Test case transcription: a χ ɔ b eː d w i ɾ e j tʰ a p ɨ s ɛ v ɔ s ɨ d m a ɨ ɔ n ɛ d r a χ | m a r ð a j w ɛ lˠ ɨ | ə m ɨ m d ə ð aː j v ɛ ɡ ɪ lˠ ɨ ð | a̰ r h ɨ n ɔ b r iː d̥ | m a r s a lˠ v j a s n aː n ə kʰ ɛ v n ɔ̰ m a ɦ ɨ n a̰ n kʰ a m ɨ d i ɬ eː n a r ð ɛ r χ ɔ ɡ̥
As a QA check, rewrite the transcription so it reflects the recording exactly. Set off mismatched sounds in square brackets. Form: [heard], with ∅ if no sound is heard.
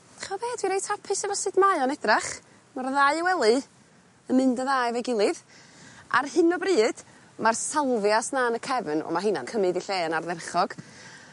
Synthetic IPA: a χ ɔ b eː d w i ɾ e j tʰ a [pʰ] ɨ s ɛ v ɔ s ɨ d m a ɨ ɔ n ɛ d r a χ | m a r ð a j w ɛ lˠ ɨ | ə m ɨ [n] d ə ð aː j v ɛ ɡ ɪ lˠ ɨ ð | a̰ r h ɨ n ɔ b r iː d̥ | m a r s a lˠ v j a s n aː n ə kʰ ɛ v n ɔ̰ m a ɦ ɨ n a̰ n kʰ [ə] m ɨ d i ɬ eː n a r ð ɛ r χ ɔ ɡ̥